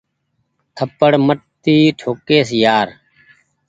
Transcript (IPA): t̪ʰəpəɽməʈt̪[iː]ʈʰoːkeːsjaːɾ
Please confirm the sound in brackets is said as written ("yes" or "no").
yes